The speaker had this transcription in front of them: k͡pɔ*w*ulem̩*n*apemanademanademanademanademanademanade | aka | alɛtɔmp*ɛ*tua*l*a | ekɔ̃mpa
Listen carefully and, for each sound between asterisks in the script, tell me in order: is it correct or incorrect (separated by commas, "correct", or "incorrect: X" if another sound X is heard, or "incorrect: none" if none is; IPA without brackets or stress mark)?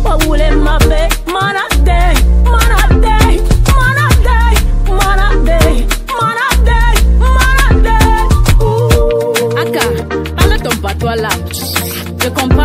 correct, incorrect: m, incorrect: a, correct